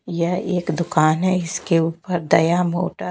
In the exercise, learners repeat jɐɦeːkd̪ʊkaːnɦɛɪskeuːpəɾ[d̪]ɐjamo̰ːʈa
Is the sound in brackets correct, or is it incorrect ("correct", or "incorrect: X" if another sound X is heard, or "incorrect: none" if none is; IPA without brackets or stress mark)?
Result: correct